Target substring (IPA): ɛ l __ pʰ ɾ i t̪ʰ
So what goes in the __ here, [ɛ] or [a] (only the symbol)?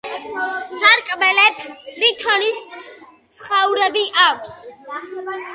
ɛ